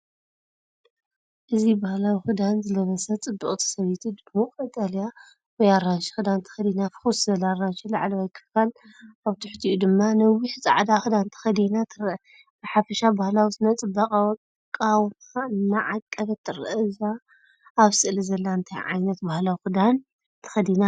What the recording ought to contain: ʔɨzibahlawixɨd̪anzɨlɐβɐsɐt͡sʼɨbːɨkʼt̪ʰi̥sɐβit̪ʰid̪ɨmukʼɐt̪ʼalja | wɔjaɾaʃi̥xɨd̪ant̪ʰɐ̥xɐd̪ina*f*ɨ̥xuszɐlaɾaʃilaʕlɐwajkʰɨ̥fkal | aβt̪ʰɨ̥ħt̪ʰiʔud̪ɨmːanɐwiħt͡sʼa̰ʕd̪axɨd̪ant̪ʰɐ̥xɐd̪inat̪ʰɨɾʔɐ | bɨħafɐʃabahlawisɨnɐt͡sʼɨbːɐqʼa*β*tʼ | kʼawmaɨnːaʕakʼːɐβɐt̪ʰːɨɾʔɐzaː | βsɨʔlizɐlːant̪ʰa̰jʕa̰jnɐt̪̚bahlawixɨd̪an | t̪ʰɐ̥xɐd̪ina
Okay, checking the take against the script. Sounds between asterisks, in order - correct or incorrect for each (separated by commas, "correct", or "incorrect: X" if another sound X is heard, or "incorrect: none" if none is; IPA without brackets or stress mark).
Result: correct, incorrect: w